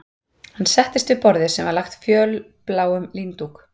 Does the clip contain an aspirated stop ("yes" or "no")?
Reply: no